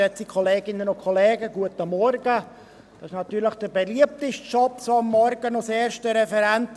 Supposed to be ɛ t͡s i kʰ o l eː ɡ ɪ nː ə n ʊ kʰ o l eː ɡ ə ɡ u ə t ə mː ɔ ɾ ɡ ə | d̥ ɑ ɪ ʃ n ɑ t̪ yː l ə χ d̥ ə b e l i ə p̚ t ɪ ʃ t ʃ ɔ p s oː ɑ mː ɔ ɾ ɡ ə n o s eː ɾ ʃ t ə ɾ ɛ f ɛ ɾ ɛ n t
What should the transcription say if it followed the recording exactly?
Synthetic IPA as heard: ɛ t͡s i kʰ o l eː ɡ ɪ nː ə n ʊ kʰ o l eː ɡ ə ɡ u ə t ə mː ɔ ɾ ɡ ə | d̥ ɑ ɪ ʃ n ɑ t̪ yː l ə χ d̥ ə b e l i ə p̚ t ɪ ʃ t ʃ ɔ p s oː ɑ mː ɔ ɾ ɡ ə n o s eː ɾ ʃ t ə ɾ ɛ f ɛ ɾ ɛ n t